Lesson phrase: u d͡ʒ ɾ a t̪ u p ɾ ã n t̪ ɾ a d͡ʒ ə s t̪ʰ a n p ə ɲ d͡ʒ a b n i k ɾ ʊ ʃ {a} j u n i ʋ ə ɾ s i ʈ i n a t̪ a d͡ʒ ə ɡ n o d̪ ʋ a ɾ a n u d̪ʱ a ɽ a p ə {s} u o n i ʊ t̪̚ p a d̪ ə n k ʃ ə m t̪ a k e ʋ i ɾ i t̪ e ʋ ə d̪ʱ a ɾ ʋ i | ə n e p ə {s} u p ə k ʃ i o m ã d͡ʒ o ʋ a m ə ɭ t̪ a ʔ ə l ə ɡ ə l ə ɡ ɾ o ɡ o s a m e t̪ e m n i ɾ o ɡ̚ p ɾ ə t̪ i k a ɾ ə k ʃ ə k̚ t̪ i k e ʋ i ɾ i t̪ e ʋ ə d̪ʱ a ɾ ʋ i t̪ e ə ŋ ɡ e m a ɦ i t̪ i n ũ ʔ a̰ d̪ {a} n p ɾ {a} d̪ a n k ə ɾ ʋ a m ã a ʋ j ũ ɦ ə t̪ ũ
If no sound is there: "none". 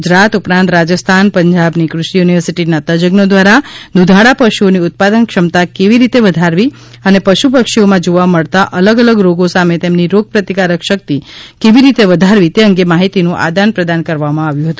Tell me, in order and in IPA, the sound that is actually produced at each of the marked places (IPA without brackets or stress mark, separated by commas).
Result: i, ʃ, ʃ, a, ə